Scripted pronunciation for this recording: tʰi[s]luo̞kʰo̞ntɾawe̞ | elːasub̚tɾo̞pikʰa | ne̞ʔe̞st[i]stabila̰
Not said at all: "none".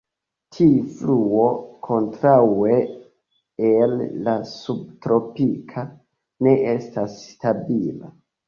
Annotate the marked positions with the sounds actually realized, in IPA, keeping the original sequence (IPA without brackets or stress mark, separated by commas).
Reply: f, a